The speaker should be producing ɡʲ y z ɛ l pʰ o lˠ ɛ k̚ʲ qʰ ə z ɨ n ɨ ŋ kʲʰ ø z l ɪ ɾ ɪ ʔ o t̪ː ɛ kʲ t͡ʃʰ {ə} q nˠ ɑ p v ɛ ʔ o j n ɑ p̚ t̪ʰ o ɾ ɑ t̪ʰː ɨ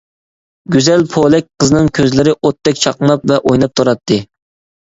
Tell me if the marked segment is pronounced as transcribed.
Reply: no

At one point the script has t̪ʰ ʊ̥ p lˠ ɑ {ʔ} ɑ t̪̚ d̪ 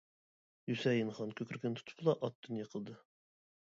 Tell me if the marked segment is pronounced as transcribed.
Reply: yes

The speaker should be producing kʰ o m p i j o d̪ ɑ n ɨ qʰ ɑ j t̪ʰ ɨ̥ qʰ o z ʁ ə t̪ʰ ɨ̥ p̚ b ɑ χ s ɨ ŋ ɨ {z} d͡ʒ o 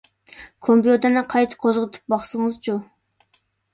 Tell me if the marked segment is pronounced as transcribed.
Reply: yes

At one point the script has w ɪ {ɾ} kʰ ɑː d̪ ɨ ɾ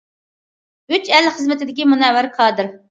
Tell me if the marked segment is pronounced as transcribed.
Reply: yes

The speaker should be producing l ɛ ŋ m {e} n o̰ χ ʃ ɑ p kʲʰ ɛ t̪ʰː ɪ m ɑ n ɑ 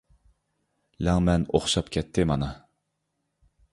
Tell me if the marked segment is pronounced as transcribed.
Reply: no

